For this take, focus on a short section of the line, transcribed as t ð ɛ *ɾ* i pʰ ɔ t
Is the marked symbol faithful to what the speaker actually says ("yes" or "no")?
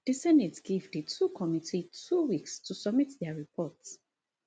no